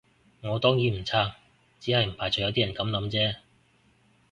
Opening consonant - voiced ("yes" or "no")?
yes